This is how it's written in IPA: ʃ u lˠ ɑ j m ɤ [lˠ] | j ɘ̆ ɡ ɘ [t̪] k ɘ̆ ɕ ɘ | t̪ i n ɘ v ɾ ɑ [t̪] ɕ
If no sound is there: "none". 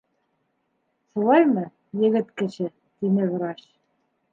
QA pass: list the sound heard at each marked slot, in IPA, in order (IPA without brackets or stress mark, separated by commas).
none, t̪, none